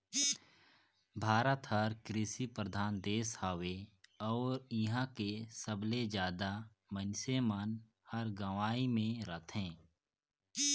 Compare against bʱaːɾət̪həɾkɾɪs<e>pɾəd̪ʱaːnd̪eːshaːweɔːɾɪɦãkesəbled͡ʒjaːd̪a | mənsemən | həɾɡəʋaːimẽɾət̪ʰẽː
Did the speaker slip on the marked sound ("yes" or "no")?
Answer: yes